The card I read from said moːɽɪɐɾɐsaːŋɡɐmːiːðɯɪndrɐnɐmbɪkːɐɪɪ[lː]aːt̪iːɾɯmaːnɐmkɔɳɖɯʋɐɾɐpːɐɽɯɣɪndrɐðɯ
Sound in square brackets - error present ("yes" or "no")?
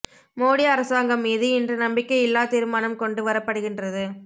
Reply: no